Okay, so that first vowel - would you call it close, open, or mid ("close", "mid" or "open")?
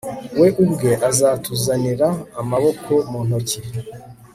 mid